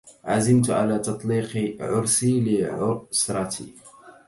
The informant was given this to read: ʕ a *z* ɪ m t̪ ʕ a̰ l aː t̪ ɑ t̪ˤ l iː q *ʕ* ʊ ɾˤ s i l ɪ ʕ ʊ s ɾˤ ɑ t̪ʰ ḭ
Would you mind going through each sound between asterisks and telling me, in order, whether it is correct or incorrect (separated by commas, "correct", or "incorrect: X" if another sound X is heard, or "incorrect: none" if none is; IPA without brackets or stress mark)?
correct, correct